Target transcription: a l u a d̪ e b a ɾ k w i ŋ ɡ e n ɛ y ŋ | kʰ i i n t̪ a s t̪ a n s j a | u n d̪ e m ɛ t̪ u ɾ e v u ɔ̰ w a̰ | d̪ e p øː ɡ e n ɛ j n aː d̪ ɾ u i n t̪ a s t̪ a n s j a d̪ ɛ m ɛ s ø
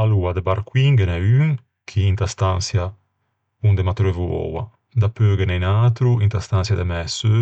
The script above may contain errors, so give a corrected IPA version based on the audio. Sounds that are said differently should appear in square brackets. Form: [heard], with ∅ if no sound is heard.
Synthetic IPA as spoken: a l u a d̪ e b a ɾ k w i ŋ ɡ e n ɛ y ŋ | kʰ i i n t̪ a s t̪ a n s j a | u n d̪ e m [a] t̪ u ɾ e v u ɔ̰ w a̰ | d̪ [a] p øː ɡ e n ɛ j n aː [t̪] ɾ u i n t̪ a s t̪ a n s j a d̪ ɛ m ɛ s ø